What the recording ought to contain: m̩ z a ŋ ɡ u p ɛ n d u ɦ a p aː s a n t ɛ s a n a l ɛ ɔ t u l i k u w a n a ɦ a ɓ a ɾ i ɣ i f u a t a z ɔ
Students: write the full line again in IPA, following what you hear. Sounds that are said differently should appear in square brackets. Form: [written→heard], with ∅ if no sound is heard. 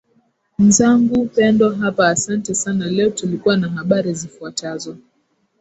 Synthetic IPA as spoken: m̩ z a ŋ ɡ u p ɛ n d [u→ɔ] ɦ a p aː s a n t ɛ s a n a l ɛ ɔ t u l i k u w a n a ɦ a ɓ a ɾ i [ɣ→z] i f u a t a z ɔ

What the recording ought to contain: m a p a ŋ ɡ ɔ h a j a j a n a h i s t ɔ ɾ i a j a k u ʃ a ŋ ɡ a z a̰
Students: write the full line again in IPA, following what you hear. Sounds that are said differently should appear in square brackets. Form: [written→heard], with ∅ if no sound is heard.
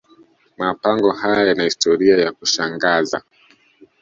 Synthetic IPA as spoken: m a p a ŋ ɡ ɔ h a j a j a n a h i s t ɔ ɾ i a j a k u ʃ a ŋ ɡ a z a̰

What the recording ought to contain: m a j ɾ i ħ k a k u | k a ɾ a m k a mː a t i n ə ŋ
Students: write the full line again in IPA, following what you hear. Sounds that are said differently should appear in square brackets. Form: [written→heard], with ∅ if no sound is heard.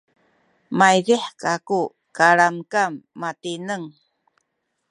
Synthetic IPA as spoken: m a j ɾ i ħ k a k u | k a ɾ a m k a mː a t i n ə ŋ

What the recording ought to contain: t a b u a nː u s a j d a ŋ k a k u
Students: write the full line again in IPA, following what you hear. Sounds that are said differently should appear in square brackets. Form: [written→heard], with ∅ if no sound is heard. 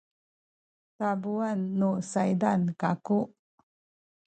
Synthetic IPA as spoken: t a b u a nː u s a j d a [ŋ→n] k a k u

